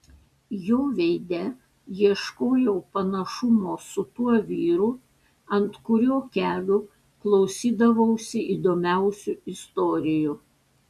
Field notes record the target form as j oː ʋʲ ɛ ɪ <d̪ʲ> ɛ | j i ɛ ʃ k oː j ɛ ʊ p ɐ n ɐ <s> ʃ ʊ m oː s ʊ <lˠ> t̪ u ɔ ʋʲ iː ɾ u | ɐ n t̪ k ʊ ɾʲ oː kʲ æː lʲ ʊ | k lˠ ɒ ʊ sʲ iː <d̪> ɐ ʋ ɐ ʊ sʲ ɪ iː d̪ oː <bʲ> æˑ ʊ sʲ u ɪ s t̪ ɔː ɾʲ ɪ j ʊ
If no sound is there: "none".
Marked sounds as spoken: d̪ʲ, none, none, d̪, mʲ

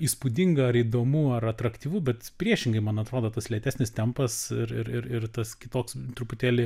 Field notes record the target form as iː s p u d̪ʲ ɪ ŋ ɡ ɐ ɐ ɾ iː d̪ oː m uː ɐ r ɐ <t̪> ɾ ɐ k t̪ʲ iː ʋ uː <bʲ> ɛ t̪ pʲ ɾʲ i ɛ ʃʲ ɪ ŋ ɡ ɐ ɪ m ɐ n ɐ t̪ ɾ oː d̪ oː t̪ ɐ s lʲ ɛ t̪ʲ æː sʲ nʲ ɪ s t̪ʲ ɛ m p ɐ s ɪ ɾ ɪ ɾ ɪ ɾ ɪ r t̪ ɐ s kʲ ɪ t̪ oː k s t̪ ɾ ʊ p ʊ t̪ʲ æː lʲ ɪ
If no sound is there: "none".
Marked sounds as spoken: t̪, bʲ

